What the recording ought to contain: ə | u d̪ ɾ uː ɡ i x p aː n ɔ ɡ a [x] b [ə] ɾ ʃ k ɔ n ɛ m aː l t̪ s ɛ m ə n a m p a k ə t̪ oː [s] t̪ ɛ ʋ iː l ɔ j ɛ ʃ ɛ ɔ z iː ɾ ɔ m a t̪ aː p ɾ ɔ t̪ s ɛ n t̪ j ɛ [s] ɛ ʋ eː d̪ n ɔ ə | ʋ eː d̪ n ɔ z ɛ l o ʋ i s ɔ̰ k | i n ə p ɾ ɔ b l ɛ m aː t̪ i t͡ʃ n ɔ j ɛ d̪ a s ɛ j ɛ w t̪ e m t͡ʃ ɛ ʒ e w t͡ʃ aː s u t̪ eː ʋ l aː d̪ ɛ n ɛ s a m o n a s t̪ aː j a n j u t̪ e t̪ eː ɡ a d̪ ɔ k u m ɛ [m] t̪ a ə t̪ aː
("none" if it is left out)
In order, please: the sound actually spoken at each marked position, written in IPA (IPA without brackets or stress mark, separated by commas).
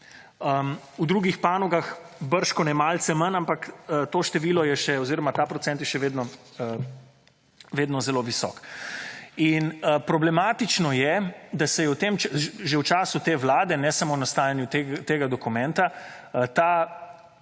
x, ə, ʃ, ʃ, n